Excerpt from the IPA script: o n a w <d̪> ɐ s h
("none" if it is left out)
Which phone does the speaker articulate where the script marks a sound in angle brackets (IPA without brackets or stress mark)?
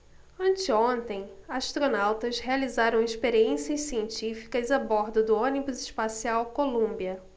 t̪